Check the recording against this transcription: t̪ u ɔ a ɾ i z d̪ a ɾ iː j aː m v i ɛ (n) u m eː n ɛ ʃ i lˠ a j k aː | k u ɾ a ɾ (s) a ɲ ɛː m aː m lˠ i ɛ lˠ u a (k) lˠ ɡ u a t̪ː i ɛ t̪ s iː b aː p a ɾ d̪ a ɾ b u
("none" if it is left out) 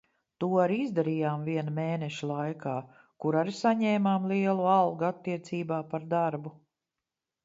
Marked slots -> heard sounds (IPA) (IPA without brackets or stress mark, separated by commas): n, s, none